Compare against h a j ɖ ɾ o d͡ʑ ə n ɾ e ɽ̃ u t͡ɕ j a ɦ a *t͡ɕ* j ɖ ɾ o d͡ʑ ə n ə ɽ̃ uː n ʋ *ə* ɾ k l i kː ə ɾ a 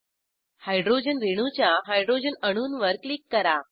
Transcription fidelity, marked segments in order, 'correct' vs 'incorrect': incorrect: none, correct

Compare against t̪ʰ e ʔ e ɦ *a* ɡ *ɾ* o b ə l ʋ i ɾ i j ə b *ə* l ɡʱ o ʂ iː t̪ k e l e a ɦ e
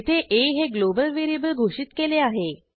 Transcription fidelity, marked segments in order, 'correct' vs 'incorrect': incorrect: e, incorrect: l, correct

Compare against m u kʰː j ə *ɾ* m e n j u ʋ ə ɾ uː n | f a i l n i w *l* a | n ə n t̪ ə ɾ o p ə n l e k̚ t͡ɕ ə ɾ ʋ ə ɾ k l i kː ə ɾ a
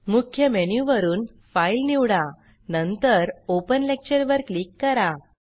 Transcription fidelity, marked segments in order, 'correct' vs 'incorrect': incorrect: none, incorrect: ɽ

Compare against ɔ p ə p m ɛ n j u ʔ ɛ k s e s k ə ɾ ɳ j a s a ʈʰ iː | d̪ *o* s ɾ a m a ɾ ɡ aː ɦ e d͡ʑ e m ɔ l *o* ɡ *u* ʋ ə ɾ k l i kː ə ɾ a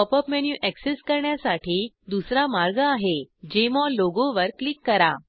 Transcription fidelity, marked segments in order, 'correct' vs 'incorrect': incorrect: u, correct, incorrect: o

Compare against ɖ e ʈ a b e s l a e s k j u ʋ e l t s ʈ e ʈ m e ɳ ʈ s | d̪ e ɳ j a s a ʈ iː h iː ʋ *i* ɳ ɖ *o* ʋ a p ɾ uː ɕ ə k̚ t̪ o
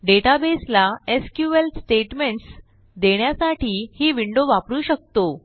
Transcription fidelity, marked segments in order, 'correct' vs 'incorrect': correct, correct

